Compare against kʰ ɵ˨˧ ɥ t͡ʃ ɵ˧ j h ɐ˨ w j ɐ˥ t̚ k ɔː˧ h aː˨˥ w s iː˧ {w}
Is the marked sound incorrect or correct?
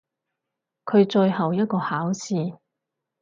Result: incorrect: none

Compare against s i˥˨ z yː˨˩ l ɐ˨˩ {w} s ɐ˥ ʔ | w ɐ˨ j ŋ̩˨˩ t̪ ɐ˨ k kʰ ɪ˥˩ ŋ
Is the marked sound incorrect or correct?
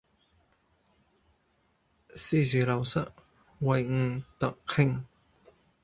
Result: correct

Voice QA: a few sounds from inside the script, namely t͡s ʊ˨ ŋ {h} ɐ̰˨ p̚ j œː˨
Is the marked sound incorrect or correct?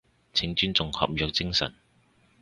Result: correct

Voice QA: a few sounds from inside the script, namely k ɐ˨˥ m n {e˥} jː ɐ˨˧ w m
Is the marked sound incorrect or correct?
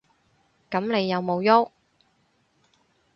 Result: incorrect: e˨˧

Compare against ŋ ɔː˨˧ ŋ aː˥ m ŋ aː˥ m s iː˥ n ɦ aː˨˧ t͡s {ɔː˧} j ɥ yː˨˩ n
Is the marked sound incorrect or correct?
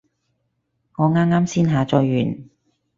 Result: correct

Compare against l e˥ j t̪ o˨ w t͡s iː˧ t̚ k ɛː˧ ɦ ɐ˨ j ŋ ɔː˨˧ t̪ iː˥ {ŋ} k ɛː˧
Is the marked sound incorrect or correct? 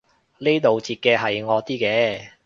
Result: incorrect: none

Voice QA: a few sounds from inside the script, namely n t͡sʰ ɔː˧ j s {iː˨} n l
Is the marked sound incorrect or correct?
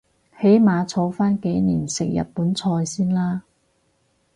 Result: incorrect: iː˥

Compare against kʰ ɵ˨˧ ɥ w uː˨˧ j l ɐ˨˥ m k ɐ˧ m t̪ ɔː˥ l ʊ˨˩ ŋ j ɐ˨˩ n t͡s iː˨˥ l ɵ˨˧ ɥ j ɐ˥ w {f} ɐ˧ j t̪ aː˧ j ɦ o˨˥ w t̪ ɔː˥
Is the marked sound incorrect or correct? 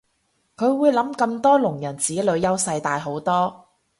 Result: incorrect: s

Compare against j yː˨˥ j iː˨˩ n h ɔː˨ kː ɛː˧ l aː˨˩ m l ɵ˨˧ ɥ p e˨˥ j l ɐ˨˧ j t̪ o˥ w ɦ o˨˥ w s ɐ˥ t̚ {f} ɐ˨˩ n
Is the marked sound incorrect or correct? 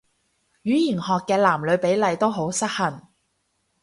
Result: incorrect: h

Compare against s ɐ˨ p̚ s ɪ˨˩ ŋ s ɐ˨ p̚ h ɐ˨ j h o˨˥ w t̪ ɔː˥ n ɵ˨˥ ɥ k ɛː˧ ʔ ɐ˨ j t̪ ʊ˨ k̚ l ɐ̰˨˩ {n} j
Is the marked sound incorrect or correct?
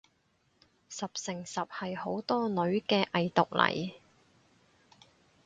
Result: incorrect: none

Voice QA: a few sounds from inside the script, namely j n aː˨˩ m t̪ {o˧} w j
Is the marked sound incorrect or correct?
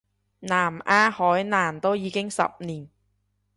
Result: incorrect: o˥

